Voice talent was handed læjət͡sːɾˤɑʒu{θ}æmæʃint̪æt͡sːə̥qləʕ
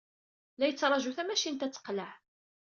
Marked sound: correct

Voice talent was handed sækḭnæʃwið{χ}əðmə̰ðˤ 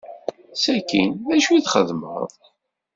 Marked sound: correct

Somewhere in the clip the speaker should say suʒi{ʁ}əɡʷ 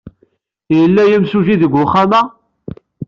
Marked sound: incorrect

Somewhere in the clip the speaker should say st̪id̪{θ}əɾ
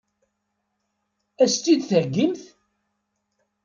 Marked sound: correct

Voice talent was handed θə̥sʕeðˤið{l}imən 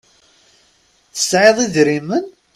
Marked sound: incorrect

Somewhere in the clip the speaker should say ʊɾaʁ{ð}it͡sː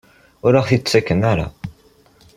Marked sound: incorrect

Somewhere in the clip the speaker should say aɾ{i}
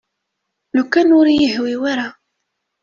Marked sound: incorrect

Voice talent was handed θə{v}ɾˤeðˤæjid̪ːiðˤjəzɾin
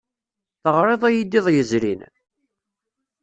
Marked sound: incorrect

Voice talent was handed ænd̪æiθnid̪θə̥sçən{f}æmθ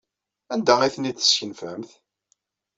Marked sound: correct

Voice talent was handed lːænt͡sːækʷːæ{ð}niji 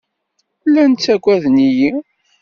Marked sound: correct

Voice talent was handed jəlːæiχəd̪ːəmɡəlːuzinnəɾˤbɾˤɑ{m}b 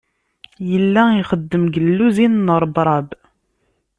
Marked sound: incorrect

